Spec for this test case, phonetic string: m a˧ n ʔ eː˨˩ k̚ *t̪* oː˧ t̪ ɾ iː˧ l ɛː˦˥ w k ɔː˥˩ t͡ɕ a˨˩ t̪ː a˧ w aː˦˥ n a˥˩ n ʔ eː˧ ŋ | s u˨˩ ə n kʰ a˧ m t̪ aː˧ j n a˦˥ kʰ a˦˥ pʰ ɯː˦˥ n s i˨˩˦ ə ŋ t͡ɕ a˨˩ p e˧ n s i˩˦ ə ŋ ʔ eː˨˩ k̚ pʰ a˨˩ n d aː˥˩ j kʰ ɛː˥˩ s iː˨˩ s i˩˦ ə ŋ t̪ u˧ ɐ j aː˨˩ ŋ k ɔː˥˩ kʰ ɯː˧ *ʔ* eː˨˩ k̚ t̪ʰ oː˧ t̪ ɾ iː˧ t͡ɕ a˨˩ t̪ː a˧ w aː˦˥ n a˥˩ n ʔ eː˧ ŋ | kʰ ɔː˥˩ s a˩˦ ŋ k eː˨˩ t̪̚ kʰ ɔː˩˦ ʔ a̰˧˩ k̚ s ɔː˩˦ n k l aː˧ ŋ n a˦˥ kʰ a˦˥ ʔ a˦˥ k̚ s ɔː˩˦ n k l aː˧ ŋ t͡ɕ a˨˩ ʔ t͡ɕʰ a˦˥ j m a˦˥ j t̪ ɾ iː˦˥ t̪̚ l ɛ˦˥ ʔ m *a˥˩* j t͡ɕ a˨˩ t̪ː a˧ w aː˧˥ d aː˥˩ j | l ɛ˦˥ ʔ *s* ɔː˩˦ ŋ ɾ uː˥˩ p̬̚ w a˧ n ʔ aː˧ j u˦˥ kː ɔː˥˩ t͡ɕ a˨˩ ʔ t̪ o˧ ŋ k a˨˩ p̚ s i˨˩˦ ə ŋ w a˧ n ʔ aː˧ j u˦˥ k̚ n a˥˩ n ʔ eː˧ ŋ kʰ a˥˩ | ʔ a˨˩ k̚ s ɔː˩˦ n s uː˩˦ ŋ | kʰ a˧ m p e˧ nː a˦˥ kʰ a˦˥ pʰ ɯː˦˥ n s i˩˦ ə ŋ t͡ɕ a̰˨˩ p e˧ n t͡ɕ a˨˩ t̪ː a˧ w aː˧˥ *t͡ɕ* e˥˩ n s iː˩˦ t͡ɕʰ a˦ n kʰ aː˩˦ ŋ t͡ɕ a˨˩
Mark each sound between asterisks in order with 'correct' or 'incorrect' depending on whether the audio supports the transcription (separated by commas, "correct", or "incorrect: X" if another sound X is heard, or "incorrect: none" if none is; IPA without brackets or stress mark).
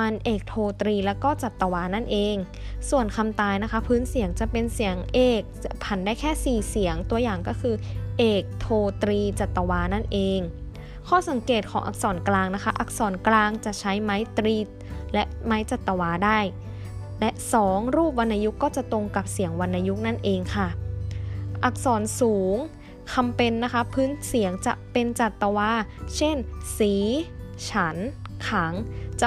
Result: incorrect: t̪ʰ, correct, incorrect: a˦˥, correct, incorrect: t͡ɕʰ